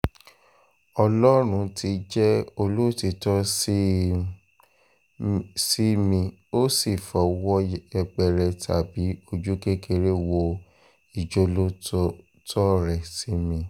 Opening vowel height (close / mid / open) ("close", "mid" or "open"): mid